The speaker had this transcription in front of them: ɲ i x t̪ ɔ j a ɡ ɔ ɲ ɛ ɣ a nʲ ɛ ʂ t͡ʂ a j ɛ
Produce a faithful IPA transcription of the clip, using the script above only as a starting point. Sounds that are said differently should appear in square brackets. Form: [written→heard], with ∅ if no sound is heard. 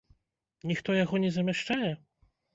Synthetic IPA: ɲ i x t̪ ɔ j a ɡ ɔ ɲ ɛ [ɣ→z] a [nʲ→mʲ] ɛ ʂ t͡ʂ a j ɛ